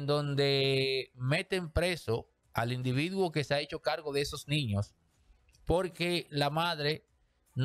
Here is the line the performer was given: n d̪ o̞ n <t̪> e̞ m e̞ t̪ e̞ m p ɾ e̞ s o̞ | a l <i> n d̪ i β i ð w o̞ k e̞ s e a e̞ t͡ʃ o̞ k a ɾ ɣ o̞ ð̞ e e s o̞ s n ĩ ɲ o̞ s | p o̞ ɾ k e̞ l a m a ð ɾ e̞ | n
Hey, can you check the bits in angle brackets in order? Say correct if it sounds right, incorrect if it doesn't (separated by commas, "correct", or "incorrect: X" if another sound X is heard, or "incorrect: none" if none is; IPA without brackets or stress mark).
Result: incorrect: d̪, correct